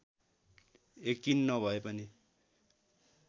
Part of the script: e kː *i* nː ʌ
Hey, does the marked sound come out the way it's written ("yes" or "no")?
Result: yes